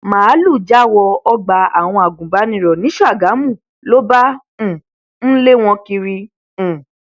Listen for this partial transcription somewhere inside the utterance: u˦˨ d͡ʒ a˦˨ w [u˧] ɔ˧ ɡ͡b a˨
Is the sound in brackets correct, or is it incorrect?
incorrect